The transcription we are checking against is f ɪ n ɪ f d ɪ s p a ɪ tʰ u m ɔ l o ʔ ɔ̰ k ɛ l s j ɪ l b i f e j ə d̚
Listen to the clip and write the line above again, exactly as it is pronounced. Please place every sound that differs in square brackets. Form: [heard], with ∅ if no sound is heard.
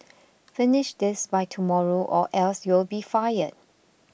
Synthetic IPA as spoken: f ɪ n ɪ [ʃ] d ɪ s [b] a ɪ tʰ u m ɔ [ɹ] o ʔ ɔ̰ [ʔ] ɛ l s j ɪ l b i f [a] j ə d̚